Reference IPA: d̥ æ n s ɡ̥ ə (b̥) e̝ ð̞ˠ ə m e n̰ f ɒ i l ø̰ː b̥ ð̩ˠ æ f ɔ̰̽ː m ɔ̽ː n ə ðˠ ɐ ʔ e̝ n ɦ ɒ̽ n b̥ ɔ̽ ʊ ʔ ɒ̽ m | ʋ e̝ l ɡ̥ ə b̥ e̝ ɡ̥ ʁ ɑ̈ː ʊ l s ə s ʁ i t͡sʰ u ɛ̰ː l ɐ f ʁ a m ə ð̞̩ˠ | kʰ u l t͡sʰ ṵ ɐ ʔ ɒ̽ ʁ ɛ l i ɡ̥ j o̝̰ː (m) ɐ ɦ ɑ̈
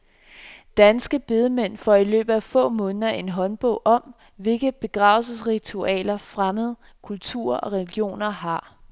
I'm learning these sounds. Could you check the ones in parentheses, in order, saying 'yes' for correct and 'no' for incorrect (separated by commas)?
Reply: yes, no